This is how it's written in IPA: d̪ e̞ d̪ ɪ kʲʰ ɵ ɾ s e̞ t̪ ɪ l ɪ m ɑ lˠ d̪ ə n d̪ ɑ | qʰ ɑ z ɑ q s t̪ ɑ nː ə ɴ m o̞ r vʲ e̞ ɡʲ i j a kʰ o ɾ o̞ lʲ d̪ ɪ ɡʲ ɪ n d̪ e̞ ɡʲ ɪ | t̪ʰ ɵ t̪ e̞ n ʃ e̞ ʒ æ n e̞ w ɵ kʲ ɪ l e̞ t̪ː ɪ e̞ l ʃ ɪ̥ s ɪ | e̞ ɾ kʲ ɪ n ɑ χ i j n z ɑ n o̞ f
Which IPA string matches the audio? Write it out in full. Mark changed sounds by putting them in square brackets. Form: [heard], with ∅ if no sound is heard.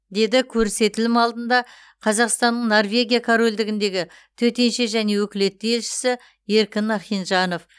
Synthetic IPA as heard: d̪ e̞ d̪ ɪ kʲʰ ɵ ɾ s e̞ t̪ ɪ l ɪ m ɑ lˠ d̪ ə n d̪ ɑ | qʰ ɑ z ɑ q s t̪ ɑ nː ə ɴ [n] o̞ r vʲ e̞ ɡʲ i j a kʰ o ɾ o̞ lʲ d̪ ɪ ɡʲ ɪ n d̪ e̞ ɡʲ ɪ | t̪ʰ ɵ t̪ e̞ n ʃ e̞ ʒ æ n e̞ w ɵ kʲ ɪ l e̞ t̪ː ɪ e̞ l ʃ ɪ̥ s ɪ | e̞ ɾ kʲ ɪ n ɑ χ i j n [ʒ] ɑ n o̞ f